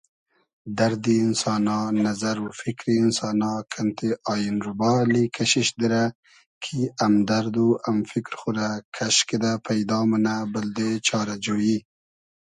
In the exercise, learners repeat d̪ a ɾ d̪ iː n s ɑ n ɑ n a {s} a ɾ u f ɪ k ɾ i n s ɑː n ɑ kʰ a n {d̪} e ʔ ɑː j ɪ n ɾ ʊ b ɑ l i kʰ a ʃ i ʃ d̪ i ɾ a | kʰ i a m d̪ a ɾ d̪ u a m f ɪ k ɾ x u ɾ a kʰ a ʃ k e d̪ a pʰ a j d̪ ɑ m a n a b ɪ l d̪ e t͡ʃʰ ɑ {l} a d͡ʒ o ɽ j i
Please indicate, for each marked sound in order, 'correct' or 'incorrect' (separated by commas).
incorrect, incorrect, incorrect